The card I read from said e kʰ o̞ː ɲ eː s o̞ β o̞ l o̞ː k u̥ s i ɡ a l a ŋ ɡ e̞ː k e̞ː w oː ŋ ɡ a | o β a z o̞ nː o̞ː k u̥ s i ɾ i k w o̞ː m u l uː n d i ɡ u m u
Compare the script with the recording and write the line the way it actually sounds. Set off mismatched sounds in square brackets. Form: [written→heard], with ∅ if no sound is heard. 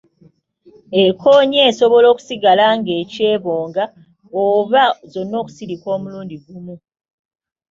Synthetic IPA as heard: e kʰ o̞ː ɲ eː s o̞ β o̞ l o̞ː k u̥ s i ɡ a l a ŋ ɡ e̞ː [k→c] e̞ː [w→β] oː ŋ ɡ a | o β a z o̞ nː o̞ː k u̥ s i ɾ i k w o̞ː m u l uː n d i ɡ u m u